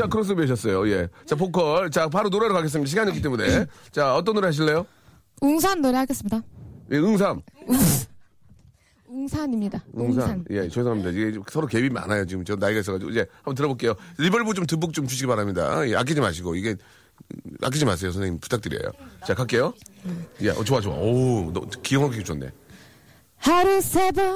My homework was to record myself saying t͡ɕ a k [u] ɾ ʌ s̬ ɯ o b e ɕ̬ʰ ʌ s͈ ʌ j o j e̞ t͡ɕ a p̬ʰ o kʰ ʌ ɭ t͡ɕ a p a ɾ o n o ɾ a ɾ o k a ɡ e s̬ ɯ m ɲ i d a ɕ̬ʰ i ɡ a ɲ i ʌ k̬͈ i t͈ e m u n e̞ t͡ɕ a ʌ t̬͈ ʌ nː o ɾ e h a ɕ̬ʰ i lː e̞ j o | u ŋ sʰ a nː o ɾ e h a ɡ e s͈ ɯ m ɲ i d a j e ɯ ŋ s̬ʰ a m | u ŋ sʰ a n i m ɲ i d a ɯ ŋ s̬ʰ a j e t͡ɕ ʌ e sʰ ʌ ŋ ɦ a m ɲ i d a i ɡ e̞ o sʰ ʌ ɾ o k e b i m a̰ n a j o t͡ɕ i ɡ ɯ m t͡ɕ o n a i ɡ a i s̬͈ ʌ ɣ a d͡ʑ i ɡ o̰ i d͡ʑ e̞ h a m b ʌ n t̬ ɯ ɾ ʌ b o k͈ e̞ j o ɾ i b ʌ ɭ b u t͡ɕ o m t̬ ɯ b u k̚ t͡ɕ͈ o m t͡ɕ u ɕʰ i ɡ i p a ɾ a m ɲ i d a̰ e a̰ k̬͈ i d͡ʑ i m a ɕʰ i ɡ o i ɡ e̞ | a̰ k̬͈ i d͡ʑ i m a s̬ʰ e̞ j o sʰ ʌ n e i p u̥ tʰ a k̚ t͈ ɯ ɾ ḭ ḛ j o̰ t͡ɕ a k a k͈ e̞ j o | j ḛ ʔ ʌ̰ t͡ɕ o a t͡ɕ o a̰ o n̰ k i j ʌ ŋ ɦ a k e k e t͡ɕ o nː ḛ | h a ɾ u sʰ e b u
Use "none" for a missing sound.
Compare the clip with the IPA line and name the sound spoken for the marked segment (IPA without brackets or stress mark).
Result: ɯ